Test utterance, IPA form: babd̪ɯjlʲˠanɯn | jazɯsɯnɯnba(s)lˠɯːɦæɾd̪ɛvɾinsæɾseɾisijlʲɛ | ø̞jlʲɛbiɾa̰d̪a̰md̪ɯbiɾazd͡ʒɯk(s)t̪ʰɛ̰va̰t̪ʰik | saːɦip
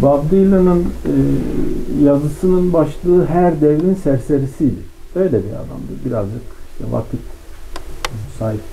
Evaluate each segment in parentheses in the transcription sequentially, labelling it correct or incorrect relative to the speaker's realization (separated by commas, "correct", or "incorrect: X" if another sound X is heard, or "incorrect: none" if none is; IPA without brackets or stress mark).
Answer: incorrect: ʃ, incorrect: ʃ